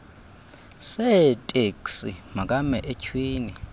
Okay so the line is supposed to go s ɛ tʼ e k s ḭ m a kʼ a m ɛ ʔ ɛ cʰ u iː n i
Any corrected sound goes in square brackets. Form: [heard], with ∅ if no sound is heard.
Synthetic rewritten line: s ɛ tʼ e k s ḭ m a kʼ a m ɛ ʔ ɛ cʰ [w] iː n i